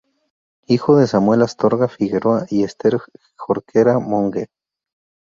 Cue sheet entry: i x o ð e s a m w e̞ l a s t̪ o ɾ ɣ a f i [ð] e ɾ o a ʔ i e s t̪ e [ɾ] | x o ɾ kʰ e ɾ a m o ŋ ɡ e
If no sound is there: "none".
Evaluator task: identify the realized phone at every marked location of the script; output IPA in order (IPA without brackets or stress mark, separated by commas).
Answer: ɣ, ɾ